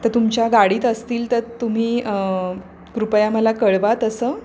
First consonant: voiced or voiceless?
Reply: voiceless